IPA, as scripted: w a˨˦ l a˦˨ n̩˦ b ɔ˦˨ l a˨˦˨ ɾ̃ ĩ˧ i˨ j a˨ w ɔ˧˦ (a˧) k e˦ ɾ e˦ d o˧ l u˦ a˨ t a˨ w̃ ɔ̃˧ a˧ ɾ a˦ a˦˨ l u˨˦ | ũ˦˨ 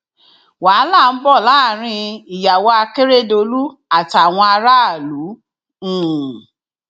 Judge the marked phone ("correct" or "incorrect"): correct